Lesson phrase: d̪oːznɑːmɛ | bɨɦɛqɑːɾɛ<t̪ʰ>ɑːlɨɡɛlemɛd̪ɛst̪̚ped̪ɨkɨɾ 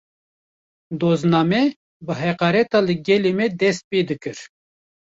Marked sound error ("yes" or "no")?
yes